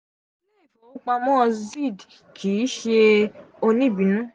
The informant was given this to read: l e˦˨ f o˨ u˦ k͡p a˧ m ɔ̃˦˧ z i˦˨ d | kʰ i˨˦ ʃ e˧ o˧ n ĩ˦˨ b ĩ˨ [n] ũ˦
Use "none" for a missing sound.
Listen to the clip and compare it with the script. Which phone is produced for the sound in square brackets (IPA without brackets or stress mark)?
n